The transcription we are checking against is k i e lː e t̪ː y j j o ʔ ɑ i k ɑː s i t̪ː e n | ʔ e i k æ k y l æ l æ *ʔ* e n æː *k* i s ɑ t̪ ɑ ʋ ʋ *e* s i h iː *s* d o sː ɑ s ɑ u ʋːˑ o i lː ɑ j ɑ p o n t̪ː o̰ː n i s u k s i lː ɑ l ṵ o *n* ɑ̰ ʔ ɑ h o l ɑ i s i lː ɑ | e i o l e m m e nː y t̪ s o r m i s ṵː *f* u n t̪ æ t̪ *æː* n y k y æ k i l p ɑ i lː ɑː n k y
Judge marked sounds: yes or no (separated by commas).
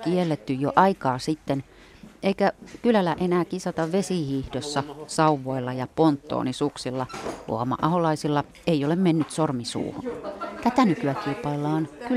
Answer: yes, yes, yes, no, no, no, no